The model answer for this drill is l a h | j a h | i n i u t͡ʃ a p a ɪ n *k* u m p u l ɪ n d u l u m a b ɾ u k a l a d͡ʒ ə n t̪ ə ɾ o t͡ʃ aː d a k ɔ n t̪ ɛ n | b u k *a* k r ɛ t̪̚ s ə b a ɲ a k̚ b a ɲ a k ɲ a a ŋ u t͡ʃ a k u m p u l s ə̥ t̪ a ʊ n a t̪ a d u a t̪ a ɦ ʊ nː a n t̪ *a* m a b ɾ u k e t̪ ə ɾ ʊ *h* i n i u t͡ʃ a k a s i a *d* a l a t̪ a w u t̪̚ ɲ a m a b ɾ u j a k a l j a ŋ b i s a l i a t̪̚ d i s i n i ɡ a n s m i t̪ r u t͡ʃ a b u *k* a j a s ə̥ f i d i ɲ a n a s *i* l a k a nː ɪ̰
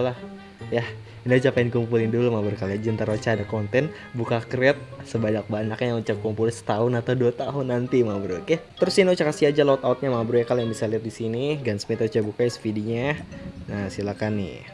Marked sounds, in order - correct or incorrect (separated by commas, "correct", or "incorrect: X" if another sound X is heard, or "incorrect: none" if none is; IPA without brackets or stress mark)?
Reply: correct, correct, incorrect: i, incorrect: s, incorrect: d͡ʒ, correct, correct